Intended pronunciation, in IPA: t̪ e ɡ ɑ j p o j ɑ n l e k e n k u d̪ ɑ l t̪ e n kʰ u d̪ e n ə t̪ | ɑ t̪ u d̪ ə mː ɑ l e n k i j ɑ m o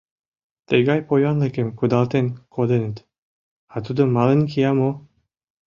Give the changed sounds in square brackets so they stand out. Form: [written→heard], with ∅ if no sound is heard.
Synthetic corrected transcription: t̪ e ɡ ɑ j p o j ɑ n l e k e [n→m] k u d̪ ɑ l t̪ e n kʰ [u→o] d̪ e n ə t̪ | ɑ t̪ u d̪ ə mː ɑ l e n k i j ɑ m o